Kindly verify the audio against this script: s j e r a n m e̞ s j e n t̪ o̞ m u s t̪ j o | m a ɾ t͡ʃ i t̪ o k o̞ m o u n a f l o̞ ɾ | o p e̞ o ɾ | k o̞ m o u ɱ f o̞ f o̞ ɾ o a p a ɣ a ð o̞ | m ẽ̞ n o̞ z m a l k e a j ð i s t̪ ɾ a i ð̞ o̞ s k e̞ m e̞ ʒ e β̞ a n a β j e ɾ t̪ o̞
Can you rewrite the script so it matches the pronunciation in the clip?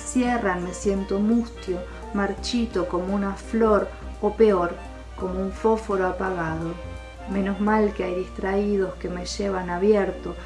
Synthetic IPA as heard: s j e r a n m e̞ s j e n t̪ o̞ m u s t̪ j o | m a ɾ t͡ʃ i t̪ o k o̞ m o u n a f l o̞ ɾ | o p e̞ o ɾ | k o̞ m o u ɱ f o̞ f o̞ ɾ o a p a ɣ a ð o̞ | m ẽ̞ n o̞ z m a l k e a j ð i s t̪ ɾ a i ð̞ o̞ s k e̞ m e̞ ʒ e β̞ a n a β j e ɾ t̪ o̞